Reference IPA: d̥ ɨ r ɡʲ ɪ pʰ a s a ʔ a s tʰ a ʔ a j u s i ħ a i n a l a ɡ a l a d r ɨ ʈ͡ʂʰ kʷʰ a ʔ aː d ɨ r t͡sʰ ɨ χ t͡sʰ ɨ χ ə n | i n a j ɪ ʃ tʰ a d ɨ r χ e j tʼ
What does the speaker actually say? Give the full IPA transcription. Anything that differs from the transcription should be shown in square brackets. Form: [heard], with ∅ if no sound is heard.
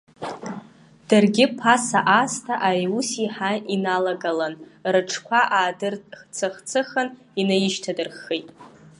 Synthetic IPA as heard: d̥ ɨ r ɡʲ ɪ pʰ a s a ʔ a s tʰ a ʔ a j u s i ħ a i n a l a ɡ a l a [n] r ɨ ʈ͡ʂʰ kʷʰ a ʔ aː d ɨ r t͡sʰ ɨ χ t͡sʰ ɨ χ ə n | i n a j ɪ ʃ tʰ a d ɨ r χ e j tʼ